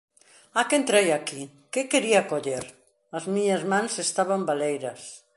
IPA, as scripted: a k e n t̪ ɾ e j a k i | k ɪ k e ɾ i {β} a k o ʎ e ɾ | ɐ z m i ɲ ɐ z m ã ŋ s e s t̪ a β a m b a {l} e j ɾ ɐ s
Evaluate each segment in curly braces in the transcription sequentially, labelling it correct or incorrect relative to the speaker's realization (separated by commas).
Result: incorrect, correct